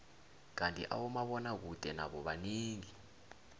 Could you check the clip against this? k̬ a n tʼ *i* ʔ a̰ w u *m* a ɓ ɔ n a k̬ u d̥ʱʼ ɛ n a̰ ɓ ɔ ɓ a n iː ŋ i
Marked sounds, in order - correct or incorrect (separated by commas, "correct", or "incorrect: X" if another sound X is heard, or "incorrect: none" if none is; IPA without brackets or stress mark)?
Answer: correct, correct